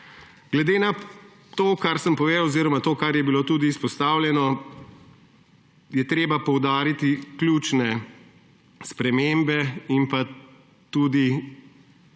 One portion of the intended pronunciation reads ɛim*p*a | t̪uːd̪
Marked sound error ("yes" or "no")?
no